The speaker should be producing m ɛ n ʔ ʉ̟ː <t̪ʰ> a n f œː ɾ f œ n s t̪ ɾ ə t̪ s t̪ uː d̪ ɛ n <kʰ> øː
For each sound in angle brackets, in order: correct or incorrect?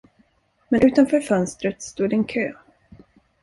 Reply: incorrect: t̪, correct

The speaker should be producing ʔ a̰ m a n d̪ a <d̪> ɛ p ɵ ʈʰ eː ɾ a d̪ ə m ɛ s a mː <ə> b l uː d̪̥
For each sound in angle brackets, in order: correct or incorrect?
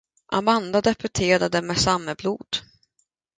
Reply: correct, correct

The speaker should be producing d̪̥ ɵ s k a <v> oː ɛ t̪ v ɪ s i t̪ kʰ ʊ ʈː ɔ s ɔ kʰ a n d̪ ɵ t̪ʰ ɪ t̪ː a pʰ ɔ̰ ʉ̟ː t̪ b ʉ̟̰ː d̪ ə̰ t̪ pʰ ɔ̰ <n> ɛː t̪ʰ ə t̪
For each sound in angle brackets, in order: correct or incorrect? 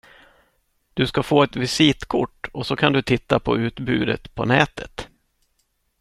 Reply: incorrect: f, correct

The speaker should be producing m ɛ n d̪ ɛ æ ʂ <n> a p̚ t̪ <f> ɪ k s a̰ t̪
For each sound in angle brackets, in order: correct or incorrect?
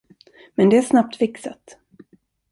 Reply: correct, correct

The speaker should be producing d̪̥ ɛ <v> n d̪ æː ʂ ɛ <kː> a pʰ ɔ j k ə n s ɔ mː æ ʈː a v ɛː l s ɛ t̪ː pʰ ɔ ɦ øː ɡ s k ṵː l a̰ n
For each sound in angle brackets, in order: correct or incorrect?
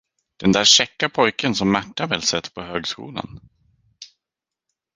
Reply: incorrect: none, correct

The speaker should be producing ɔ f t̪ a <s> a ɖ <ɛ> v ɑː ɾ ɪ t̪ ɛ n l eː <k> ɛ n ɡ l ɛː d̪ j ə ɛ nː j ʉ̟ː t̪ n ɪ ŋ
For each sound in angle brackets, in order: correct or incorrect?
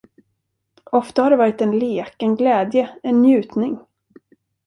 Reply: incorrect: h, correct, correct

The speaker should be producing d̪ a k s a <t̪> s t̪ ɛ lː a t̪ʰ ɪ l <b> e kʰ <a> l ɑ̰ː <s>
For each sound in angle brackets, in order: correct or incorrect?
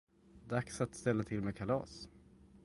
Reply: correct, incorrect: m, correct, correct

